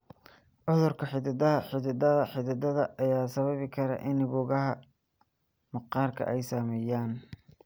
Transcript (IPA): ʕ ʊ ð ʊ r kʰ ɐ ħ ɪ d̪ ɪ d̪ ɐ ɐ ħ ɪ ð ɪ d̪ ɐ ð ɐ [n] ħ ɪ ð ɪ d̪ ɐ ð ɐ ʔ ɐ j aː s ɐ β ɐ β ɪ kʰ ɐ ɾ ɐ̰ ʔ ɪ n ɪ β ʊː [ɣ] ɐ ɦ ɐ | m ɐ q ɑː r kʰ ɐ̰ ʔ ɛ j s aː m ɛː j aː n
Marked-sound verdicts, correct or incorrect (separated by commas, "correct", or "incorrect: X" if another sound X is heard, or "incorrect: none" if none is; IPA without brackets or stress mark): incorrect: none, correct